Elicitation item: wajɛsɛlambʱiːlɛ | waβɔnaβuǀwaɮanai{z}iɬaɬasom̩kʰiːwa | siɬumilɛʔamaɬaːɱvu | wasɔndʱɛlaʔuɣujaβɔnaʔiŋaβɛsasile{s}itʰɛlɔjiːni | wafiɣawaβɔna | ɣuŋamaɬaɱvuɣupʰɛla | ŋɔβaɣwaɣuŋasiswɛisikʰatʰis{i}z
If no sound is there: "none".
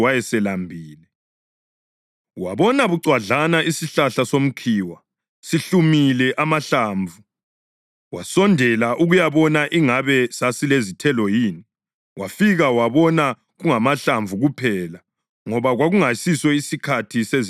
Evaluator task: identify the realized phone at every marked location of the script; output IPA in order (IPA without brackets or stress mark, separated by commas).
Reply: s, z, e